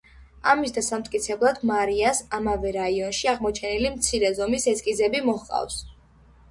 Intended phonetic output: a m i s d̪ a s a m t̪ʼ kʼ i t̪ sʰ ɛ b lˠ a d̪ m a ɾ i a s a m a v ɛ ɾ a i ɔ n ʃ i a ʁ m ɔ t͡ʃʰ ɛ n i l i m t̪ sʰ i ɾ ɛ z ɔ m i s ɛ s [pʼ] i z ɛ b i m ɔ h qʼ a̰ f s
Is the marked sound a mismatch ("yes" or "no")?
yes